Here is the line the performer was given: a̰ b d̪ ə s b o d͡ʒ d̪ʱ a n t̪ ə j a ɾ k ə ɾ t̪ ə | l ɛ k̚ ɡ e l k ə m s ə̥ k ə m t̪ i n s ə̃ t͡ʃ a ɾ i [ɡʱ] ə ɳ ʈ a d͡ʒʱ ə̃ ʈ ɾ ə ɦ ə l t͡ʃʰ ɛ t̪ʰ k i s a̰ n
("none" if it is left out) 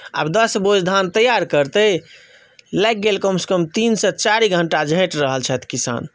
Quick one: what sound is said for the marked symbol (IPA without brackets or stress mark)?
ɡʱ